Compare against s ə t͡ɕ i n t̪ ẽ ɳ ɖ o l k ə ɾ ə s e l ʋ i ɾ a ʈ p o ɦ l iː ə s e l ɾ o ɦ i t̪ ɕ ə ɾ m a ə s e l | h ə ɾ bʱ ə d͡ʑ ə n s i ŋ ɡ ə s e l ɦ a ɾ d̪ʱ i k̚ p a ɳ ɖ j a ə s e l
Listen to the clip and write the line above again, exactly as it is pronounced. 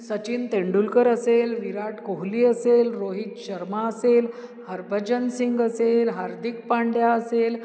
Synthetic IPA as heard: s ə t͡ɕ i n t̪ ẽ ɳ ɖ u l k ə ɾ ə s e l ʋ i ɾ a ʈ k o ɦ l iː ə s e l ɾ o ɦ i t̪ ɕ ə ɾ m a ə s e l | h ə ɾ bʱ ə d͡ʑ ə n s i ŋ ɡ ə s e l ɦ a ɾ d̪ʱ i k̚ p a ɳ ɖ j a ə s e l